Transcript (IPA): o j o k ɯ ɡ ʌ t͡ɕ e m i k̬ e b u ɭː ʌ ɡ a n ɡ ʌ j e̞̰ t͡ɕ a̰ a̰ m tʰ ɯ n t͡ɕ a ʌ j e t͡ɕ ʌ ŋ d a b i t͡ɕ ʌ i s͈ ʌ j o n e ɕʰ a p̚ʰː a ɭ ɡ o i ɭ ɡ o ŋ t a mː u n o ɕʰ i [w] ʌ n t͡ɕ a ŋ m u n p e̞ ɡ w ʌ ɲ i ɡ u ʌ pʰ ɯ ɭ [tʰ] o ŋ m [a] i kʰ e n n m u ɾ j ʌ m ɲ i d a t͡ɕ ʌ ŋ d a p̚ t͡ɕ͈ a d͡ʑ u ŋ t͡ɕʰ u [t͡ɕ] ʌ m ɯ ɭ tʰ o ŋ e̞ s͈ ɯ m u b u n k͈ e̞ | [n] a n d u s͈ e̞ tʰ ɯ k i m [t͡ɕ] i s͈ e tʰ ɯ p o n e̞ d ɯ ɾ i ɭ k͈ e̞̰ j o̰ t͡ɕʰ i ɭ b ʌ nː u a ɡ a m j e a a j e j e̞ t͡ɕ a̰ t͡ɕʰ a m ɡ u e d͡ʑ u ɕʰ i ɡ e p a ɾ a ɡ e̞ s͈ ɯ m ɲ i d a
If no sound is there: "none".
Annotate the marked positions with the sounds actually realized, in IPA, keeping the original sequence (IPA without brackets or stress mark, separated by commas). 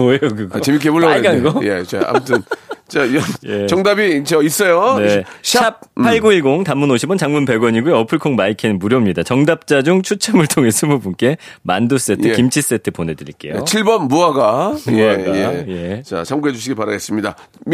b, kʰ, a, t͡ɕʰ, m, t͡ɕʰ